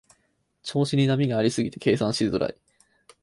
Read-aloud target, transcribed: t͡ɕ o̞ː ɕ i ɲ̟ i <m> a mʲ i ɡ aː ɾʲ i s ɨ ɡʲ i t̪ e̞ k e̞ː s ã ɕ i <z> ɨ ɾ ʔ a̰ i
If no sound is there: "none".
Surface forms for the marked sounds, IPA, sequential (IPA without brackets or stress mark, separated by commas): n, z